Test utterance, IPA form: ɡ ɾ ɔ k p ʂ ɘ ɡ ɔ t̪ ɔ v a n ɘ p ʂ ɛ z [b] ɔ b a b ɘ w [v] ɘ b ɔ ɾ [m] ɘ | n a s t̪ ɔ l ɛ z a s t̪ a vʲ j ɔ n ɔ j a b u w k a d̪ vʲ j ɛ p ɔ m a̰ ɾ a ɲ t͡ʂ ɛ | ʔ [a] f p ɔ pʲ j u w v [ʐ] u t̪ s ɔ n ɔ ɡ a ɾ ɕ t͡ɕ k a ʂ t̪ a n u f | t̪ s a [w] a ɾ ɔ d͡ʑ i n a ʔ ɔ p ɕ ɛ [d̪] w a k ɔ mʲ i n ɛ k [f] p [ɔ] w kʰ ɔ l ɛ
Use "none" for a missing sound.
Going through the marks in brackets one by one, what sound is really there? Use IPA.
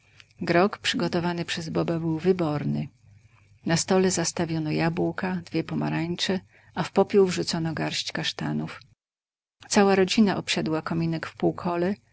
b, v, n, a, ʐ, w, d̪, f, u

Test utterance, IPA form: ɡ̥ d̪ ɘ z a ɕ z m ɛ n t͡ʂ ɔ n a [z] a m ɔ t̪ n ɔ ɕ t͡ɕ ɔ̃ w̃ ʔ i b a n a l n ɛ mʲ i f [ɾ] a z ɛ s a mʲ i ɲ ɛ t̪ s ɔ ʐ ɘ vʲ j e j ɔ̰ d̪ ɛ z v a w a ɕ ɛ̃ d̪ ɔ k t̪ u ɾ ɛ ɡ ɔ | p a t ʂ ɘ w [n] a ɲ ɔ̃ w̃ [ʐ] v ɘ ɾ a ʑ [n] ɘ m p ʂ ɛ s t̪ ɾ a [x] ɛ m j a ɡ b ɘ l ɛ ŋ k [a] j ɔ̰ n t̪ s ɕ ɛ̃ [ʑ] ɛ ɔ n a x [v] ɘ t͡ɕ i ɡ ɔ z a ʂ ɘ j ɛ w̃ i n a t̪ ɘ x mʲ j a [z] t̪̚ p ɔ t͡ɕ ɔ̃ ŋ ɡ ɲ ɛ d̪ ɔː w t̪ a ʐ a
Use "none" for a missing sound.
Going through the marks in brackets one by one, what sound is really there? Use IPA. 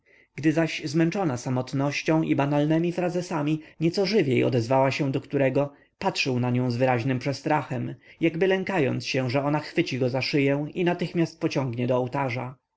s, ɾ, n, z, n, x, a, ʐ, f, s

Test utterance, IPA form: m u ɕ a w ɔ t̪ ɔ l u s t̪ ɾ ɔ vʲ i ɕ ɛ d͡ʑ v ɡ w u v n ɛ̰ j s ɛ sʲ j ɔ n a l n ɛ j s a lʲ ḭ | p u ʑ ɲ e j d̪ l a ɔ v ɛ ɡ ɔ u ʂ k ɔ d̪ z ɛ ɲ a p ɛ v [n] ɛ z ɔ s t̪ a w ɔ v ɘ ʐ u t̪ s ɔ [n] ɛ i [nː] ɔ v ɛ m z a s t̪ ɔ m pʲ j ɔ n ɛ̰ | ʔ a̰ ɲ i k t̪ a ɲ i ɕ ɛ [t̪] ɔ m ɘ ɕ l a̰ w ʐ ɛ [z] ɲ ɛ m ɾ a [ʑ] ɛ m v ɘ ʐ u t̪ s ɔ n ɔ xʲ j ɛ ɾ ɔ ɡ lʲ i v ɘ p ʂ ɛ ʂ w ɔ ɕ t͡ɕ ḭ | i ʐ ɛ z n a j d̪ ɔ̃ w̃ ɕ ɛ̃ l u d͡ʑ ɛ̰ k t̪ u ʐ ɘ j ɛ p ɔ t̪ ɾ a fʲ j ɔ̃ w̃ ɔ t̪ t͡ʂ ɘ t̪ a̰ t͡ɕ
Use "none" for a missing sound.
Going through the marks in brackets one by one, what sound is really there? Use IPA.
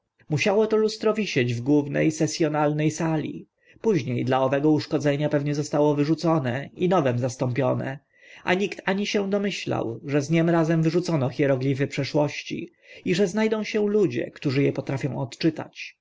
ɲ, n, n, d̪, z, z

